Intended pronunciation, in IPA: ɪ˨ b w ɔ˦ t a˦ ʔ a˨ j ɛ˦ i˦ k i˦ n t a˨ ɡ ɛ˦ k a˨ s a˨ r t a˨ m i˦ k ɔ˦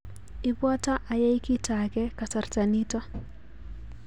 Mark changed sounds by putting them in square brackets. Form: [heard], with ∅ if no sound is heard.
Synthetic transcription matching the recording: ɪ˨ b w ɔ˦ t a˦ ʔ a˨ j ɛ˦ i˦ k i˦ [∅] t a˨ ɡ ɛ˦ k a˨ s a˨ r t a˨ [n] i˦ [t] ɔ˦